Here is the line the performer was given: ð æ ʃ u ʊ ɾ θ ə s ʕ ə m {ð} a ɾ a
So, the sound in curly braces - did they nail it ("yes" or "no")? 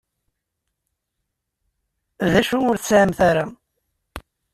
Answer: no